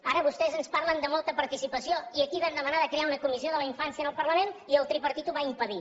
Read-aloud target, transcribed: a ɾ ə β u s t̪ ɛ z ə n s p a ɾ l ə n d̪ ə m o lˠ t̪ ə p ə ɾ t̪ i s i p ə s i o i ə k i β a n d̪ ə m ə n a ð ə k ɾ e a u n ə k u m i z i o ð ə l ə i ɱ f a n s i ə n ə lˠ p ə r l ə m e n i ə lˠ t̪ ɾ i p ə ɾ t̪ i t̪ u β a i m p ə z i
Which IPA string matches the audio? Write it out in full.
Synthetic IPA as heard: a ɾ ə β u s t̪ ɛ z ə n s p a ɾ l ə n d̪ ə m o lˠ t̪ ə p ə ɾ t̪ i s i p ə s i o i ə k i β a n d̪ ə m ə n a ð ə k ɾ e a u n ə k u m i z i o ð ə l ə i ɱ f a n s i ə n ə lˠ p ə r l ə m e n i ə lˠ t̪ ɾ i p ə ɾ t̪ i t̪ u β a i m p ə ð i